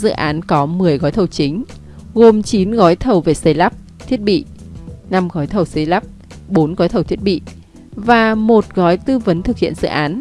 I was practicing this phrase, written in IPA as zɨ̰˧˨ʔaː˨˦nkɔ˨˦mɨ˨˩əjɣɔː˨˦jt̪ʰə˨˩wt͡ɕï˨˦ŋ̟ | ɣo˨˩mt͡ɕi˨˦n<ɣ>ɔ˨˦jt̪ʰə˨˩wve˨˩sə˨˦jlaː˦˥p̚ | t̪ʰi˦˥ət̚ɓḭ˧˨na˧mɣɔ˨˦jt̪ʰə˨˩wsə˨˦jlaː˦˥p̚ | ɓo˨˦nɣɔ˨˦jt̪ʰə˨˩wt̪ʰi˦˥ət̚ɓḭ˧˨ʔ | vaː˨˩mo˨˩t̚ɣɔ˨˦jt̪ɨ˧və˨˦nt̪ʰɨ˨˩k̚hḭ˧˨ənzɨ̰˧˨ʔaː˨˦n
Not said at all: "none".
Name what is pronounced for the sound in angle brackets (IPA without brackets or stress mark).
ɣ